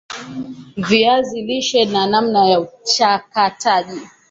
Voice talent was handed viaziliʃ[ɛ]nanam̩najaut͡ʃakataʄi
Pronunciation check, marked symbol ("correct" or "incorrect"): correct